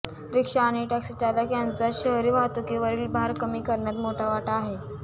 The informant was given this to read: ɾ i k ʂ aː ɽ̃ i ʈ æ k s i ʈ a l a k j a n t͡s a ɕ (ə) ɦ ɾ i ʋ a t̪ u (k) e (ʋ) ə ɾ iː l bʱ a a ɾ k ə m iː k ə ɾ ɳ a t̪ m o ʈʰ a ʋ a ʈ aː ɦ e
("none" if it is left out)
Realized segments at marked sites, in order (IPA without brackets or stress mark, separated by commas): ə, k, ʋ